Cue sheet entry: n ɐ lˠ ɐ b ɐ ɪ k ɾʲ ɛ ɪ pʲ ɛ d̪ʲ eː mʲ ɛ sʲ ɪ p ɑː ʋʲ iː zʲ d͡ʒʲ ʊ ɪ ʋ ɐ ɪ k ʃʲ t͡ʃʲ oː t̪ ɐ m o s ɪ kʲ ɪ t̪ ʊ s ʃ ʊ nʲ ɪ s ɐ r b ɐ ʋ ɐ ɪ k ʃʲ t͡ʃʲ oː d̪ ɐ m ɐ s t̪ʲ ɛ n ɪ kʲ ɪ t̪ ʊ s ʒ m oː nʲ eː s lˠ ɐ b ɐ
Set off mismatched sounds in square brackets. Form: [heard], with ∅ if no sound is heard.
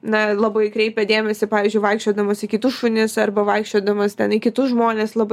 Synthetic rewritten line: n ɐ lˠ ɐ b ɐ ɪ k ɾʲ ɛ ɪ pʲ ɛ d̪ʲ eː mʲ ɛ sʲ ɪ p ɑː ʋʲ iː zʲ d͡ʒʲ ʊ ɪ ʋ ɐ ɪ k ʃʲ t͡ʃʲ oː [d̪] ɐ m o s ɪ kʲ ɪ t̪ ʊ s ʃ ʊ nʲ ɪ s ɐ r b ɐ ʋ ɐ ɪ k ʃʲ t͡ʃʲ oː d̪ ɐ m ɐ s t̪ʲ ɛ n ɪ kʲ ɪ t̪ ʊ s ʒ m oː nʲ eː s lˠ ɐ b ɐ